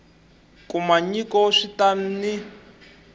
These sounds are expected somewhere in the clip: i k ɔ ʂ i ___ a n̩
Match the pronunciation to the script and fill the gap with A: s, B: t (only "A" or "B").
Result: B